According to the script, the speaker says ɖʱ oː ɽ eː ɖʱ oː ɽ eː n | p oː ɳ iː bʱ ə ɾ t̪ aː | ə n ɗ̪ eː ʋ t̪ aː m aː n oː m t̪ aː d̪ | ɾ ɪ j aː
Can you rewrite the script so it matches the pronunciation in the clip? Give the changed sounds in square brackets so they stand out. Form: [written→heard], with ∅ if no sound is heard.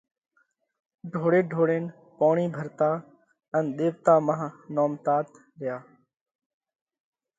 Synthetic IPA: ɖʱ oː ɽ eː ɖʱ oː ɽ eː n | p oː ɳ iː bʱ ə ɾ t̪ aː | ə n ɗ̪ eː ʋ t̪ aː m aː n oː m t̪ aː [d̪→t̪] | ɾ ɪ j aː